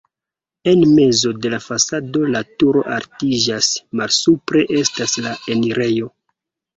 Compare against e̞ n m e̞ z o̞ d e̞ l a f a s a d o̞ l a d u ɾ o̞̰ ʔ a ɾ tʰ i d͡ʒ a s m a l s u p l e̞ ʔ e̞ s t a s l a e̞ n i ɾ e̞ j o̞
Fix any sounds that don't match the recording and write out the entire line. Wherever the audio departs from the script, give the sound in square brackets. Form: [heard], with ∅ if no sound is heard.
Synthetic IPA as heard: e̞ n m e̞ z o̞ d e̞ l a f a s a d o̞ l a [t] u ɾ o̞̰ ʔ a ɾ [t] i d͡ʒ a s m a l s u p [ɾ] e̞ ʔ e̞ s t a s l a e̞ n i ɾ e̞ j o̞